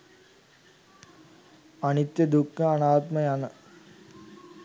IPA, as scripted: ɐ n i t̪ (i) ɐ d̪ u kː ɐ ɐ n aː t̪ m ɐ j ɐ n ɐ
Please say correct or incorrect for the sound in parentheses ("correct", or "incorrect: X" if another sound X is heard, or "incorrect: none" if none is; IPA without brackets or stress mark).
incorrect: j